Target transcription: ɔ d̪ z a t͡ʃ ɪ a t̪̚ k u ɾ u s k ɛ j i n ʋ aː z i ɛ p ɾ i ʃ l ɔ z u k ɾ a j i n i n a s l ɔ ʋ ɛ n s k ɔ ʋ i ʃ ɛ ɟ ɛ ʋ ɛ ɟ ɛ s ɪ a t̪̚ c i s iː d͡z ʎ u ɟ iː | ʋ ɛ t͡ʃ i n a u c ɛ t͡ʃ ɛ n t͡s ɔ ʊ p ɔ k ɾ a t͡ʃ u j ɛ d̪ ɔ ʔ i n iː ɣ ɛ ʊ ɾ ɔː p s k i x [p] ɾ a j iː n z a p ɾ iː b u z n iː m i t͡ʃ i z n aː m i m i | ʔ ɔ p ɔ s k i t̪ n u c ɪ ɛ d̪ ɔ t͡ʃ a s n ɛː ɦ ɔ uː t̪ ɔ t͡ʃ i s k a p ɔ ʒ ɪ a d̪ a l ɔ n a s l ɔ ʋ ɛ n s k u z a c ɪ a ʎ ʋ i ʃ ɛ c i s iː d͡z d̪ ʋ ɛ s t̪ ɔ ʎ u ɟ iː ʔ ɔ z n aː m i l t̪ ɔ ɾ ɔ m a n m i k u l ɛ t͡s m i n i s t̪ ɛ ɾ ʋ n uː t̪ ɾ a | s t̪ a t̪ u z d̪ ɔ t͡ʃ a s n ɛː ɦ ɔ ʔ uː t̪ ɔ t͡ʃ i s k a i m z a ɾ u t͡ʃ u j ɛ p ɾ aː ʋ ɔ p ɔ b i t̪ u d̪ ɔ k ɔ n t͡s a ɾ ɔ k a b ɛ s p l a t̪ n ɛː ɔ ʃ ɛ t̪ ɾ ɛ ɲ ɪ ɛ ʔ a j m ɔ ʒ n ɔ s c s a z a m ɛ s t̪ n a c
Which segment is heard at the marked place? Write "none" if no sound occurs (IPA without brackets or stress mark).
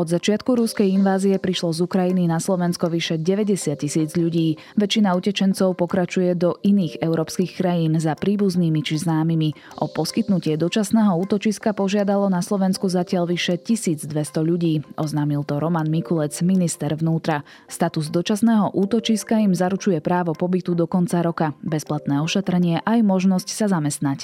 k